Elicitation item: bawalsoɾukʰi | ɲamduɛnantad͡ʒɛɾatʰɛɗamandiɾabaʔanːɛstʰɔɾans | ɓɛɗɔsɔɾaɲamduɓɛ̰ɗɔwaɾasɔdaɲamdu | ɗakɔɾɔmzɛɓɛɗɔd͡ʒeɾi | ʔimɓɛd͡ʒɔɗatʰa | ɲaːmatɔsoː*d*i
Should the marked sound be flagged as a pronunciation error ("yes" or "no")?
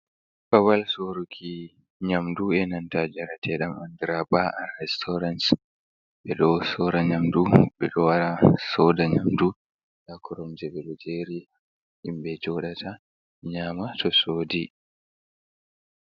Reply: no